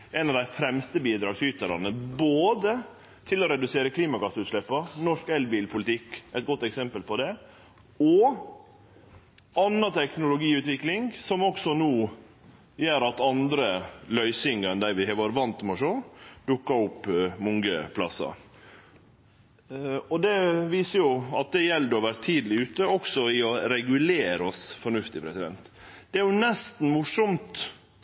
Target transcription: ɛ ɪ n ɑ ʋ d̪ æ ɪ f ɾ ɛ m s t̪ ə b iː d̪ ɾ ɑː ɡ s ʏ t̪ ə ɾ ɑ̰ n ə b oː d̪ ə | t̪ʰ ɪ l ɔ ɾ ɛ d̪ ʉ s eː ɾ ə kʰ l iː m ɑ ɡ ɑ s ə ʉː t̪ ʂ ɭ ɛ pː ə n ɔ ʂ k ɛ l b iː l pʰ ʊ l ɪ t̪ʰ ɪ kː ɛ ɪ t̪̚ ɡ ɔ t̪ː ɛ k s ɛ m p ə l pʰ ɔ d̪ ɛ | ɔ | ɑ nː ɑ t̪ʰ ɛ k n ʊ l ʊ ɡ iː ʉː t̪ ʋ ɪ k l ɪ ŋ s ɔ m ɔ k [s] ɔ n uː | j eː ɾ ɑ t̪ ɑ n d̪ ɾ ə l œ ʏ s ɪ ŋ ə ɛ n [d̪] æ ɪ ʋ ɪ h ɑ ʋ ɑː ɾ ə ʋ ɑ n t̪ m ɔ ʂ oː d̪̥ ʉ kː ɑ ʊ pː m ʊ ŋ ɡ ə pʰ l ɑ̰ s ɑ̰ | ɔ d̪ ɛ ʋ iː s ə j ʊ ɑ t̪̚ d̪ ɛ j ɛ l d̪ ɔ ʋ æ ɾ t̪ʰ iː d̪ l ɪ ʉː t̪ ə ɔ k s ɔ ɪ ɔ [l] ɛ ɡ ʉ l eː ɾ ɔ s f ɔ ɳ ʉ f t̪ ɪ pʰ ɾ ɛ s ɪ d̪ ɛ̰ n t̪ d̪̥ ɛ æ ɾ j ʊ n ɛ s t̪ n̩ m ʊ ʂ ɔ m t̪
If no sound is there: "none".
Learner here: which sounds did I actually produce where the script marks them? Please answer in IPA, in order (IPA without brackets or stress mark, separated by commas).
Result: s, d̪, ɾ